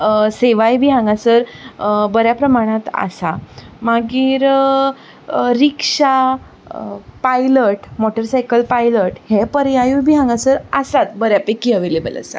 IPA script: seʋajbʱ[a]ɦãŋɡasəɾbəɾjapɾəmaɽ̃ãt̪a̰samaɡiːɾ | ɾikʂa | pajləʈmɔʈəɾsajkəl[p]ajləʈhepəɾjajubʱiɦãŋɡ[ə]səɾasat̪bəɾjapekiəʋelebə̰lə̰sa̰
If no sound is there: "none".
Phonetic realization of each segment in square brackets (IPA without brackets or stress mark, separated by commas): i, p, a